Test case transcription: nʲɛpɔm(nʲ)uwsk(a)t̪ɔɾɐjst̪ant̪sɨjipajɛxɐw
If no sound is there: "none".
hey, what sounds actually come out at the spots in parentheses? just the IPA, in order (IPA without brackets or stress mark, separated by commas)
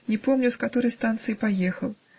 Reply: nʲ, a